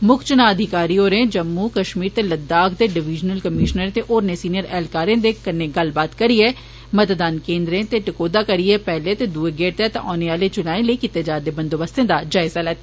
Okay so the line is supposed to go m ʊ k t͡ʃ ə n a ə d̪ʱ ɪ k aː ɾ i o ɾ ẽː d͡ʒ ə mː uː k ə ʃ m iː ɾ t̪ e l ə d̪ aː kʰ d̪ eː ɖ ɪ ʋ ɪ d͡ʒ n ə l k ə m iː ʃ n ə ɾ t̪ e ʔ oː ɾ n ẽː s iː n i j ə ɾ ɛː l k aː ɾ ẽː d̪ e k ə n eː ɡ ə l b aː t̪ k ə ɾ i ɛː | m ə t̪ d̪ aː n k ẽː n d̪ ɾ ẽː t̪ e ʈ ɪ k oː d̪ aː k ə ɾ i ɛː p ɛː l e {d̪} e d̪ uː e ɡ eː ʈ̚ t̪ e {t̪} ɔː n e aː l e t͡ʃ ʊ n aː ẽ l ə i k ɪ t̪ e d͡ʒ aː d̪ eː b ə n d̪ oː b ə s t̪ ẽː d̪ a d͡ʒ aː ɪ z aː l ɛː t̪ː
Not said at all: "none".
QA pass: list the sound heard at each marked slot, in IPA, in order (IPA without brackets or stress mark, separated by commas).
t̪, t̪